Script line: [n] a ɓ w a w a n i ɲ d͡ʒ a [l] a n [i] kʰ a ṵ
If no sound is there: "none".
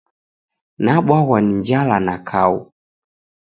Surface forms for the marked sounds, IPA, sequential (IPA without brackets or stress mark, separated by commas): n, l, a